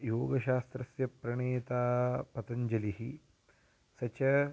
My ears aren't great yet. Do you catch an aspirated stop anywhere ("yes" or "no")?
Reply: no